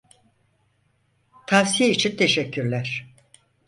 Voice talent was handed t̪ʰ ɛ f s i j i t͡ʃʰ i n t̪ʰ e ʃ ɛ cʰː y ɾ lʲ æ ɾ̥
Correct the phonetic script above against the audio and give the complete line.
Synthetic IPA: t̪ʰ a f s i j i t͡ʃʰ i n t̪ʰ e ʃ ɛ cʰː y ɾ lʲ æ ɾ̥